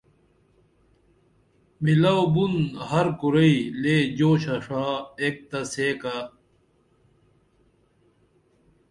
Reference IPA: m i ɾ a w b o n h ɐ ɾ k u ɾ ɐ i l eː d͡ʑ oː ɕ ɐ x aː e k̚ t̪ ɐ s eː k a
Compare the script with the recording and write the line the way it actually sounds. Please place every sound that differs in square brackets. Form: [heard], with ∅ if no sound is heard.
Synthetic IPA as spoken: m i [l] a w b [u] n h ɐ ɾ k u ɾ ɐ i l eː d͡ʑ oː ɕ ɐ [ʂ] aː e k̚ t̪ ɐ s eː k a